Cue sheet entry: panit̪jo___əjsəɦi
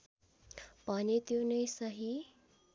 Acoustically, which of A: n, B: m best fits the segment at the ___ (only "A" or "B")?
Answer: A